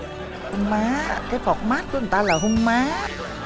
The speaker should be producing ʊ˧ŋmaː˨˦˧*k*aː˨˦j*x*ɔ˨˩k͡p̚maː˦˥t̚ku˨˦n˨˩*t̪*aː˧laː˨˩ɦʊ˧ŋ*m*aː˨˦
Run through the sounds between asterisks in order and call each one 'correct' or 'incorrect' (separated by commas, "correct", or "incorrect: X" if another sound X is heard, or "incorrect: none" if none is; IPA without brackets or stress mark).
correct, incorrect: f, correct, correct